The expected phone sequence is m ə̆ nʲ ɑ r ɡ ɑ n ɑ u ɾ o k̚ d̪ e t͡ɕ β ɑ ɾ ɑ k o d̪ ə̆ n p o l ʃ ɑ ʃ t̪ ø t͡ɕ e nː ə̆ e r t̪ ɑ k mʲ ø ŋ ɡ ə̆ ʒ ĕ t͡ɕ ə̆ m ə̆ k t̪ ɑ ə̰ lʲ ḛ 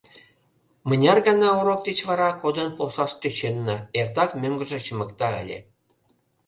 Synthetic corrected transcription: m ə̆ nʲ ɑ r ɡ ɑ n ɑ u ɾ o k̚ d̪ e t͡ɕ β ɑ ɾ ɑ k o d̪ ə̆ n p o l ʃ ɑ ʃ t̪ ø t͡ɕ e nː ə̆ e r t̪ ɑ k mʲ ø ŋ ɡ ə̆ ʒ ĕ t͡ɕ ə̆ m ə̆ k t̪ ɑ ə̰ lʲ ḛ